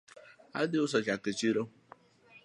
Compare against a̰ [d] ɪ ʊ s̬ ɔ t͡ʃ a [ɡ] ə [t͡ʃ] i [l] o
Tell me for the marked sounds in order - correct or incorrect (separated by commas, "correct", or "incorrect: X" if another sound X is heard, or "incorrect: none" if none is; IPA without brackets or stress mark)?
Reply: correct, incorrect: k, correct, incorrect: ɾ